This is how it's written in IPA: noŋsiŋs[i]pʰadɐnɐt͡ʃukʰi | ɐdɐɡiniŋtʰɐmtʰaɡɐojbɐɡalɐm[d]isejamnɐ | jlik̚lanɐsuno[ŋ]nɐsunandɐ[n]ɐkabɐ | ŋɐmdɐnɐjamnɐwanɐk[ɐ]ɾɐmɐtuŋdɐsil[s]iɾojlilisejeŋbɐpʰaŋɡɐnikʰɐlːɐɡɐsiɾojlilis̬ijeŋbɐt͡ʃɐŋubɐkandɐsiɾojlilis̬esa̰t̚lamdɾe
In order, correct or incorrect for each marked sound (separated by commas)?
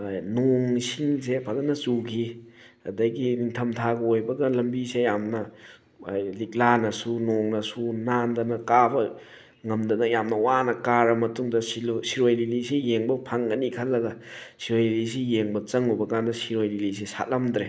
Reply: incorrect, incorrect, correct, correct, incorrect, correct